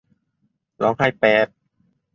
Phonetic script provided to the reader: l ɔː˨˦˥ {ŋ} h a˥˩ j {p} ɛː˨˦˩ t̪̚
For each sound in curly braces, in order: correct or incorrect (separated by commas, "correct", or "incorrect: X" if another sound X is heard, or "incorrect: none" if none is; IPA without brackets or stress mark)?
correct, correct